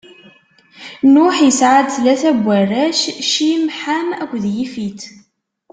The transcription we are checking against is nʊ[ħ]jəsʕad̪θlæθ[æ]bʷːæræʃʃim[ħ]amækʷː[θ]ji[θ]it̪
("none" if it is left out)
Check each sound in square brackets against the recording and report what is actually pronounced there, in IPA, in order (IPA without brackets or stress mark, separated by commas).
ħ, æ, ħ, ð, f